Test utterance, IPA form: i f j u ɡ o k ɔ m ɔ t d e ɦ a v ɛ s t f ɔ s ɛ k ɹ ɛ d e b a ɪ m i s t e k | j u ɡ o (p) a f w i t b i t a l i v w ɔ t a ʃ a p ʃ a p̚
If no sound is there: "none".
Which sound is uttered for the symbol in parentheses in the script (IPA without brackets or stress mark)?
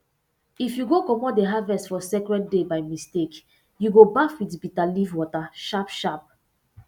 b